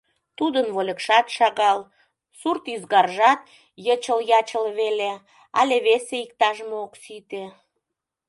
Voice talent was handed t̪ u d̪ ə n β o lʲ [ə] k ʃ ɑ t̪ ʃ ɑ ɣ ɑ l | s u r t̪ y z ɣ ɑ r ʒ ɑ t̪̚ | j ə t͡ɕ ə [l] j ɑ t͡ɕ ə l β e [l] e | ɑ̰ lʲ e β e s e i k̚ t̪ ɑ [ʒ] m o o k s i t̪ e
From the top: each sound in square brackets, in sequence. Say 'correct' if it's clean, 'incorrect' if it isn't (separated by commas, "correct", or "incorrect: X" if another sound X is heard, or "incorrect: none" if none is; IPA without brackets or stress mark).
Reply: correct, correct, correct, correct